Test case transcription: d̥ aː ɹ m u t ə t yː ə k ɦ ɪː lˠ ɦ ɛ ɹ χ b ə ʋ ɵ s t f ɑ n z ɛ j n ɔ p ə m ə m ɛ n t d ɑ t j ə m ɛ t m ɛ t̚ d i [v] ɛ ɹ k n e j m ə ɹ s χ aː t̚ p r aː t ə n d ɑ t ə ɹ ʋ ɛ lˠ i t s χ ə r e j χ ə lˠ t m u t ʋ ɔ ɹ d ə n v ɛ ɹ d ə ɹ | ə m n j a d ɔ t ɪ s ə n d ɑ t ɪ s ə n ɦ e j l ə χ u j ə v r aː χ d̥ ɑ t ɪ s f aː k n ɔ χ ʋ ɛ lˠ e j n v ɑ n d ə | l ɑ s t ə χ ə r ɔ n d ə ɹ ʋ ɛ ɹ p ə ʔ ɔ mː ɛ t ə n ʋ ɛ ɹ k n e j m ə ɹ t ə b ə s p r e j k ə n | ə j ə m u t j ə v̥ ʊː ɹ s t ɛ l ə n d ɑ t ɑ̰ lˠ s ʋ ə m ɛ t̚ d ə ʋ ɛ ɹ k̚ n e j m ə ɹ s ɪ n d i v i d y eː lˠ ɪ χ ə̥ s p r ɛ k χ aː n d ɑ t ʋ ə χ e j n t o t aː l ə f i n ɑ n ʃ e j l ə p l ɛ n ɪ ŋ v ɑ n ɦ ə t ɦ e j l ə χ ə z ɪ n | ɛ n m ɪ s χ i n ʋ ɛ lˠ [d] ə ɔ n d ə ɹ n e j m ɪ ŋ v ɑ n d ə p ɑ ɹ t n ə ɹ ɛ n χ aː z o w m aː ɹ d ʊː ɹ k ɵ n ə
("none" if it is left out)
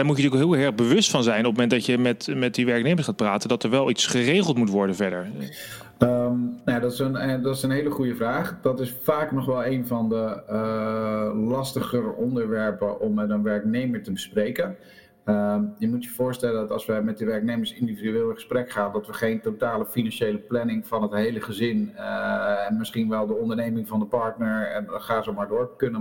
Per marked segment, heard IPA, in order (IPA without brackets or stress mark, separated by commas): ʋ, d